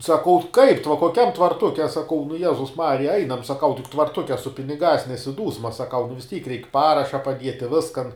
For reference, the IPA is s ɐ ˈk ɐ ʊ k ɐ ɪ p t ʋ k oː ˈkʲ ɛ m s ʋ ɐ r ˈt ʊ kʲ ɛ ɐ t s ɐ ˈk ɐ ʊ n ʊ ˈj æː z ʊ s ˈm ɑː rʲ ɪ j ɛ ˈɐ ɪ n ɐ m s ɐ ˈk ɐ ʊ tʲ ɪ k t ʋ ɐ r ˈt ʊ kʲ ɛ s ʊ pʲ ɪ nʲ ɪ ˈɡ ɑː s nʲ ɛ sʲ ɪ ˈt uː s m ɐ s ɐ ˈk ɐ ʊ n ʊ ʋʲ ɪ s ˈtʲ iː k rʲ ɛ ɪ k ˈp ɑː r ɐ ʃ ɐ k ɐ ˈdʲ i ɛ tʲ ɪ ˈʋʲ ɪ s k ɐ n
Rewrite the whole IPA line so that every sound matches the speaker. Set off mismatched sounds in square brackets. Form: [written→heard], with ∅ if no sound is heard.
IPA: s ɐ ˈk ɐ ʊ k ɐ ɪ p t ʋ k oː ˈkʲ ɛ m [s→t] ʋ ɐ r ˈt ʊ kʲ ɛ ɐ [t→∅] s ɐ ˈk ɐ ʊ n ʊ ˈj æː z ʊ s ˈm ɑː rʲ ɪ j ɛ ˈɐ ɪ n ɐ m s ɐ ˈk ɐ ʊ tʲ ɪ k t ʋ ɐ r ˈt ʊ kʲ ɛ s ʊ pʲ ɪ nʲ ɪ ˈɡ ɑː s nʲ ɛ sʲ ɪ [ˈt→ˈd] uː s m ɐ s ɐ ˈk ɐ ʊ n ʊ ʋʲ ɪ s ˈtʲ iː k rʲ ɛ ɪ k ˈp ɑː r ɐ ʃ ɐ [k→p] ɐ ˈdʲ i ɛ tʲ ɪ ˈʋʲ ɪ s k ɐ n